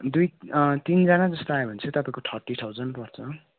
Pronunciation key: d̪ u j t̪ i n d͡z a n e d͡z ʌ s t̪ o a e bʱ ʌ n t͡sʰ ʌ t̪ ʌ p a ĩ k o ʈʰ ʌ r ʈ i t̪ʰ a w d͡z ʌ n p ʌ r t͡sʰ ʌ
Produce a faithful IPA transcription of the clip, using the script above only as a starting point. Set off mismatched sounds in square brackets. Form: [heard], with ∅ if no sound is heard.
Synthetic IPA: d̪ u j t̪ i n d͡z a n [a] d͡z ʌ s t̪ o a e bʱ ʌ n t͡sʰ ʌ t̪ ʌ p a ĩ k o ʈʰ ʌ r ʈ i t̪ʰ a w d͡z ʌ n p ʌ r t͡sʰ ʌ